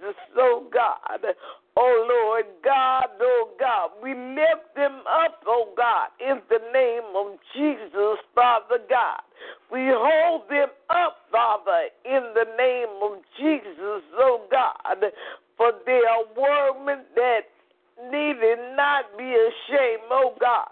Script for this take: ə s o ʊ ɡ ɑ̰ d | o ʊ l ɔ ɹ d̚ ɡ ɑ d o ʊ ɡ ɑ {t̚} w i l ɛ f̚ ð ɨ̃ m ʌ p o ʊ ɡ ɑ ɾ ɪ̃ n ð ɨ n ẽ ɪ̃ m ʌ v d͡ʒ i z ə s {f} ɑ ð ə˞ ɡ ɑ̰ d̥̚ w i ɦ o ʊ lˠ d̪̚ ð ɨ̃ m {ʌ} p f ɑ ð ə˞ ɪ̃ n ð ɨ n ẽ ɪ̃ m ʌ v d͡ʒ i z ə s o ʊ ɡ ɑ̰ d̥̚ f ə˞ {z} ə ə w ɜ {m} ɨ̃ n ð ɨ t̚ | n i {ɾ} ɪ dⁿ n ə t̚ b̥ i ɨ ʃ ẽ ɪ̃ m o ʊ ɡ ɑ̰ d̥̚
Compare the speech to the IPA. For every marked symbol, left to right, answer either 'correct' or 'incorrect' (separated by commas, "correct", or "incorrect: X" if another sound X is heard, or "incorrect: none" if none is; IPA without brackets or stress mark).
incorrect: d̚, correct, correct, incorrect: ð, correct, correct